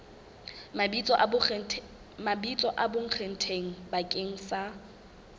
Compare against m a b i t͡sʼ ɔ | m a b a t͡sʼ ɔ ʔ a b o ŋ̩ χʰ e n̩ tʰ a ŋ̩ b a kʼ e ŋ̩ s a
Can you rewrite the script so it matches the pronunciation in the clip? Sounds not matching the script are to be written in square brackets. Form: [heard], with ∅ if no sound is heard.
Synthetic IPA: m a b i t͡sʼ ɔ | m a b [i] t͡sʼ ɔ ʔ a b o ŋ̩ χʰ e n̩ tʰ [e] ŋ̩ b a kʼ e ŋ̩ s a